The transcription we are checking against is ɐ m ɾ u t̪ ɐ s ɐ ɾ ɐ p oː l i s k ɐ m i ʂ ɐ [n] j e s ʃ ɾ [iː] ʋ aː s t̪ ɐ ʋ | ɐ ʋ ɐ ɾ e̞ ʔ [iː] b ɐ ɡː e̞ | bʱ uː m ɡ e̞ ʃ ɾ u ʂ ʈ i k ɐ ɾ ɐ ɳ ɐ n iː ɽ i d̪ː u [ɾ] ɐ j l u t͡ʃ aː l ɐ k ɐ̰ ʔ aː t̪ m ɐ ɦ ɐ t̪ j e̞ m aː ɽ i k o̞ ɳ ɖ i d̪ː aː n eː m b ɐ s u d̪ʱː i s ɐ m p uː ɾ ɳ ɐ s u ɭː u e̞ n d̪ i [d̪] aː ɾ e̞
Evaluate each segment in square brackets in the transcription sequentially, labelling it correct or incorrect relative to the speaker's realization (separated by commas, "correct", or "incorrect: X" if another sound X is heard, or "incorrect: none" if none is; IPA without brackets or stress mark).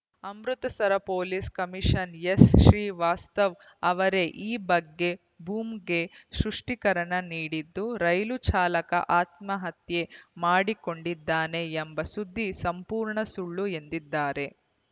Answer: correct, correct, correct, correct, incorrect: d̪ː